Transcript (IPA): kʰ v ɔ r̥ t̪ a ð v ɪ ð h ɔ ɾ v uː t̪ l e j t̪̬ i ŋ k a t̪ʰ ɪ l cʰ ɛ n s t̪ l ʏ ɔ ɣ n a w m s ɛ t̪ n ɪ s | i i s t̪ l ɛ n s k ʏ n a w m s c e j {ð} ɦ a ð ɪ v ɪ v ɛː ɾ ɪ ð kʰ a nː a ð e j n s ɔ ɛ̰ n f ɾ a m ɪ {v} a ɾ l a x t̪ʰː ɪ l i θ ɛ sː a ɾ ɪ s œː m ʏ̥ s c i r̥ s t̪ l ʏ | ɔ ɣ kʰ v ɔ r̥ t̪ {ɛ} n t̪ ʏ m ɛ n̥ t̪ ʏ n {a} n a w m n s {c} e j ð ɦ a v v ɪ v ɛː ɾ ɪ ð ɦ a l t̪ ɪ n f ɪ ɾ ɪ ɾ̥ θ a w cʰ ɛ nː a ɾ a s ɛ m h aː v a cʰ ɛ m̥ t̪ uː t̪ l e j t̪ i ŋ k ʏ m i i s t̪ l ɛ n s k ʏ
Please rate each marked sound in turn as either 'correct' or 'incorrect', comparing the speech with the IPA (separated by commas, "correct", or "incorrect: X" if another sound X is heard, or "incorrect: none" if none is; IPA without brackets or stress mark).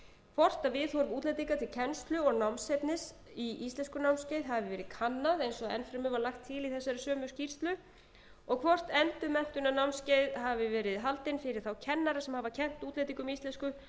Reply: correct, correct, correct, correct, correct